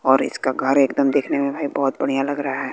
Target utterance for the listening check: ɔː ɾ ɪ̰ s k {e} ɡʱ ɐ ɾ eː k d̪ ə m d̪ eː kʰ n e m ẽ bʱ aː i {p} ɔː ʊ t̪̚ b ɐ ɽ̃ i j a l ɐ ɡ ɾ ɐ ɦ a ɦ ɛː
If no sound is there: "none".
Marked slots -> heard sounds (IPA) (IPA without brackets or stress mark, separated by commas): a, b